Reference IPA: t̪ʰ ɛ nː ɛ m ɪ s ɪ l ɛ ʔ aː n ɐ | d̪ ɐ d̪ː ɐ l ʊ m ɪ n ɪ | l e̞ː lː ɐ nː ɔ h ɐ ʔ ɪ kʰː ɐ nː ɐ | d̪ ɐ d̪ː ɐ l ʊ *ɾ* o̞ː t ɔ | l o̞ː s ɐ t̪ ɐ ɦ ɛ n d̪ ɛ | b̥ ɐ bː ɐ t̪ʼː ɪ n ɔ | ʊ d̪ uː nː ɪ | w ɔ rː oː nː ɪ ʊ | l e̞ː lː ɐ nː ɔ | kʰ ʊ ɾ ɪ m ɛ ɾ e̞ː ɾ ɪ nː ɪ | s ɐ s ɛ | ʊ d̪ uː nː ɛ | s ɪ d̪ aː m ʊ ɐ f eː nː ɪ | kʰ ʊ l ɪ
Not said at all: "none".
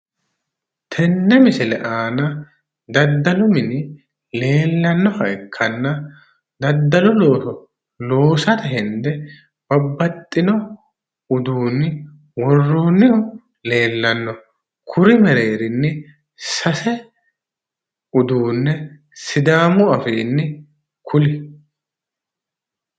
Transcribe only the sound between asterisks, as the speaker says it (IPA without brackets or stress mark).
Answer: l